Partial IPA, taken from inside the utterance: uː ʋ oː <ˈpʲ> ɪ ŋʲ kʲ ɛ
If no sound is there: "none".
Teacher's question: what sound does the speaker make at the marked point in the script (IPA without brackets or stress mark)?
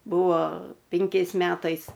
pʲ